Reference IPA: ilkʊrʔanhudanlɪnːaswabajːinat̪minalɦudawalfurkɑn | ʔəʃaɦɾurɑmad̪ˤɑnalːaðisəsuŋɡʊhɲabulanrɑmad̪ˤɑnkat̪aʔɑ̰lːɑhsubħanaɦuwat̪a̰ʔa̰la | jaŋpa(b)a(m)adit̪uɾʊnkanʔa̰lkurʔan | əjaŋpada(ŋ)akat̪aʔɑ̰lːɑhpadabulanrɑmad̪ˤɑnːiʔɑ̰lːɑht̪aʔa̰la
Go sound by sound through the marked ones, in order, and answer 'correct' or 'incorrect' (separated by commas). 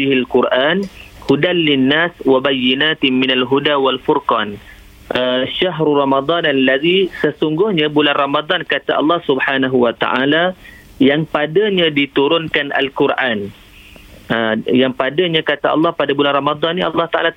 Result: incorrect, incorrect, incorrect